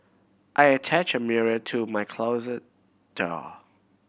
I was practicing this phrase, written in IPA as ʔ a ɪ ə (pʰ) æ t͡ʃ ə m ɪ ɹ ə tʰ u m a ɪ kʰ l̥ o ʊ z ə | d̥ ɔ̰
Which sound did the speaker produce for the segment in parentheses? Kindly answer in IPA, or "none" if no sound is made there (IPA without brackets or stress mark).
tʰ